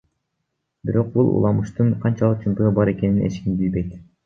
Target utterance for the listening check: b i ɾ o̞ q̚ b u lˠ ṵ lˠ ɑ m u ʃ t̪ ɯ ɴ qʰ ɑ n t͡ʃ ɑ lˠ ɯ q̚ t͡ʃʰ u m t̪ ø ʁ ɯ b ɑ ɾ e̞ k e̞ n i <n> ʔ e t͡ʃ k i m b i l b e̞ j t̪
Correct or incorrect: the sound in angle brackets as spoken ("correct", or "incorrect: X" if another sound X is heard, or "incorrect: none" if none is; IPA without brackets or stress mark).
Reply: correct